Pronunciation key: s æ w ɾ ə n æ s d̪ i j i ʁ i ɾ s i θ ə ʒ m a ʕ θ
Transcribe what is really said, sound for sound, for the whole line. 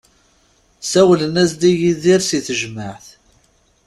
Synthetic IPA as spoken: s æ w l ə n æ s d̪ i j i ð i ɾ s i θ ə ʒ m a ʕ θ